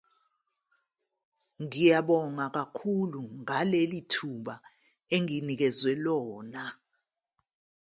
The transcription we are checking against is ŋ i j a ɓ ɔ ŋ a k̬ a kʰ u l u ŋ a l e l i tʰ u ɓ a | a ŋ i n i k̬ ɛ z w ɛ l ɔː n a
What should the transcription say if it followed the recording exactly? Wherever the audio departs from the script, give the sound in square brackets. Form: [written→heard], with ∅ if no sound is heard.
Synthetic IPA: ŋ i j a ɓ ɔ ŋ a k̬ a kʰ u l u ŋ a l e l i tʰ u ɓ a | [a→e] ŋ i n i k̬ ɛ z w ɛ l ɔː n a